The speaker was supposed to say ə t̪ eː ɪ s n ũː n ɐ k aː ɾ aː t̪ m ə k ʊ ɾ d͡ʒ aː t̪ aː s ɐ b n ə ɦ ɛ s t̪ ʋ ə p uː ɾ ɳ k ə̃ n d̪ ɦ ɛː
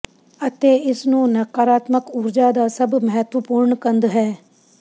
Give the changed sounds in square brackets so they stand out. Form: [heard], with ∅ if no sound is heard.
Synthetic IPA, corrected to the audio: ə t̪ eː ɪ s n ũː n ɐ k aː ɾ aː t̪ m ə k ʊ ɾ d͡ʒ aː [d̪] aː s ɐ b [m] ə ɦ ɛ [∅] t̪ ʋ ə p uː ɾ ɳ k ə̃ n d̪ ɦ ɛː